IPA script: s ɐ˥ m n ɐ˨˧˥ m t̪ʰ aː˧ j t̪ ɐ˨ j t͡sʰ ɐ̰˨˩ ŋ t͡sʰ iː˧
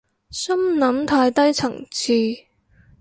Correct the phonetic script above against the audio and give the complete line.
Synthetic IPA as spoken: s ɐ˥ m n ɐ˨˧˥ m t̪ʰ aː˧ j t̪ ɐ˥ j t͡sʰ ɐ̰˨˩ ŋ t͡sʰ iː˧